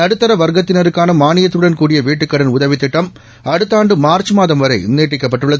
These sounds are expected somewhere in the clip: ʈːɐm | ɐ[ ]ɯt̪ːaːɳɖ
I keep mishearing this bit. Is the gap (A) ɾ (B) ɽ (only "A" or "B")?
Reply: B